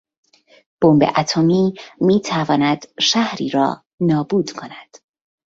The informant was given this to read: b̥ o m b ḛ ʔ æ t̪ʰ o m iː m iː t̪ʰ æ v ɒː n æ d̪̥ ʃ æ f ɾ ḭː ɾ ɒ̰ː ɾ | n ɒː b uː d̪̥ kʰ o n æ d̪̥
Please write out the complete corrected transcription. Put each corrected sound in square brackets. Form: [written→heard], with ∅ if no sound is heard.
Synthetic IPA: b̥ o m b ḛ ʔ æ t̪ʰ o m iː m iː t̪ʰ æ v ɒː n æ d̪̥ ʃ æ [f→h] ɾ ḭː ɾ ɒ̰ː [ɾ→∅] | n ɒː b uː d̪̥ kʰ o n æ d̪̥

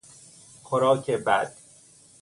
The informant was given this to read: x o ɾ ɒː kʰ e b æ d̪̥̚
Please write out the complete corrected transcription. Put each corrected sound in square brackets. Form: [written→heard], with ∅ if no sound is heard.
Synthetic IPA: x o ɾ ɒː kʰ e b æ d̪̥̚

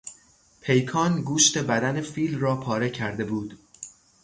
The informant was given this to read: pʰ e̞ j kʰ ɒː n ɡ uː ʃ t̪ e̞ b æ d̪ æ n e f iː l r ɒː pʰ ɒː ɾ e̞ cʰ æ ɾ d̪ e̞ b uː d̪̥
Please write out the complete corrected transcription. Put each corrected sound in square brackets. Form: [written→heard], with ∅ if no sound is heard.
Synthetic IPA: pʰ e̞ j kʰ ɒː n ɡ uː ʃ t̪ e̞ b æ d̪ æ n e f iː l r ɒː pʰ ɒː ɾ e̞ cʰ æ ɾ d̪ e̞ b uː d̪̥

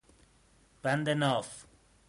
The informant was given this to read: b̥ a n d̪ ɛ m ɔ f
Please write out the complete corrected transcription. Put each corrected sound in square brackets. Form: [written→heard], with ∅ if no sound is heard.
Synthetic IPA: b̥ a n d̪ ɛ [m→n] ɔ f

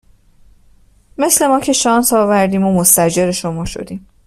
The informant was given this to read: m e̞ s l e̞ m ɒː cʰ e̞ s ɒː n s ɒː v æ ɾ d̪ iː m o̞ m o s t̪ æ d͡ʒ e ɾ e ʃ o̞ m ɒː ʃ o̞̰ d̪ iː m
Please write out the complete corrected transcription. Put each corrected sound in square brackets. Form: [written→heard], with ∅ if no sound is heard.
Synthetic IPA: m e̞ s l e̞ m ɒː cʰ e̞ [s→ʃ] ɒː n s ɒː v æ ɾ d̪ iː m o̞ m o s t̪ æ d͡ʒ e ɾ e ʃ o̞ m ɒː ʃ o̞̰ d̪ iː m

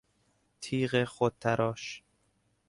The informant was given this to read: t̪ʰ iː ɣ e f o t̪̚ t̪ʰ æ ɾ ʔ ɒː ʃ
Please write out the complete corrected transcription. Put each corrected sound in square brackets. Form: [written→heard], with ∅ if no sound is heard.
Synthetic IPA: t̪ʰ iː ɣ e [f→x] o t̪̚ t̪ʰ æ ɾ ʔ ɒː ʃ

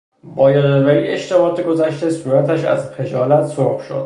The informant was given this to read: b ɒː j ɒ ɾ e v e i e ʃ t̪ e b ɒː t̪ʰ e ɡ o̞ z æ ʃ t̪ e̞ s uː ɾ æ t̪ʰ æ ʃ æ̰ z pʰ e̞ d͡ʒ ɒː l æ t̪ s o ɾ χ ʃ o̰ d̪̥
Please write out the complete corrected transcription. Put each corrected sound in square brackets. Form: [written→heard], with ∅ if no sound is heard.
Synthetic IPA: b ɒː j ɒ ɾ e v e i e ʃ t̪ e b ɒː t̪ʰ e ɡ o̞ z æ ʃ t̪ e̞ s uː ɾ æ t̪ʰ æ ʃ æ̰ z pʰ e̞ d͡ʒ ɒː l æ t̪ s o ɾ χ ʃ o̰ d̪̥

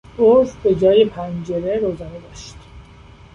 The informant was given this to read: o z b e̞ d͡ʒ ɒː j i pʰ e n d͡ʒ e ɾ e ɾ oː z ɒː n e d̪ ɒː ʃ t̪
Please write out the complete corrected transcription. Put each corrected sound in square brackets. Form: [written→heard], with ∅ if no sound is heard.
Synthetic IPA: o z b e̞ d͡ʒ ɒː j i pʰ [e→æ] n d͡ʒ e ɾ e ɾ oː z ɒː n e d̪ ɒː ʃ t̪

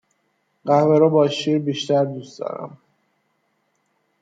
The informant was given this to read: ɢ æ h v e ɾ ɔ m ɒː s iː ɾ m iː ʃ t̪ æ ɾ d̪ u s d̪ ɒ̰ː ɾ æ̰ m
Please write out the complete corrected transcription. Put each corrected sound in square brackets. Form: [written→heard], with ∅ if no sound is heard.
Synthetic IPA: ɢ æ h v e ɾ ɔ [m→b] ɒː [s→ʃ] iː ɾ [m→b] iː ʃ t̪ æ ɾ d̪ u s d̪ ɒ̰ː ɾ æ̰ m

